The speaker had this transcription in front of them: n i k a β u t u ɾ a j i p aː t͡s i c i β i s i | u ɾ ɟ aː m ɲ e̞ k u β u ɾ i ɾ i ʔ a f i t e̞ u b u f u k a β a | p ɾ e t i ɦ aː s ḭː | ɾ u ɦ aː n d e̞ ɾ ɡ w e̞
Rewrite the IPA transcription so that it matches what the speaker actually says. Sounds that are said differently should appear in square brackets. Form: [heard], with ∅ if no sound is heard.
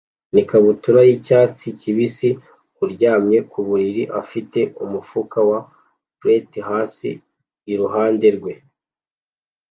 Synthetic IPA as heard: n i k a β u t u ɾ a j i [c] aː t͡s i c i β i s i | u ɾ ɟ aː m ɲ e̞ k u β u ɾ i ɾ i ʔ a f i t e̞ u [m] u f u k a [w] a | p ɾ e t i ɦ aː s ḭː | ɾ u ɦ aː n d e̞ ɾ ɡ w e̞